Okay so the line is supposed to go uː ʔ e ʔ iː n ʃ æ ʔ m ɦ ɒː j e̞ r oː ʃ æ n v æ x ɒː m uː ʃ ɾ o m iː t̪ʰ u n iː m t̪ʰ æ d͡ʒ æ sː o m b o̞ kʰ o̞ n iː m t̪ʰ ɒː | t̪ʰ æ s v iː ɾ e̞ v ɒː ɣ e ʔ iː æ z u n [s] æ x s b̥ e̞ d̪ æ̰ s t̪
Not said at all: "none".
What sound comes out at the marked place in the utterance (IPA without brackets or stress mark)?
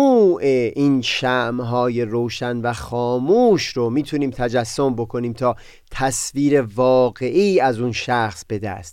ʃ